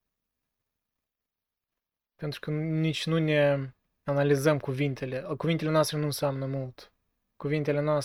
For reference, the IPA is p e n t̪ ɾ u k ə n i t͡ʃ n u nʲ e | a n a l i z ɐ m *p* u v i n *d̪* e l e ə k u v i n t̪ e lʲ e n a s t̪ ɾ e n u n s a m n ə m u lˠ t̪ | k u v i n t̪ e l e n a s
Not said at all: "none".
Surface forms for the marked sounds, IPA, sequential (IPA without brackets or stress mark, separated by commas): k, t̪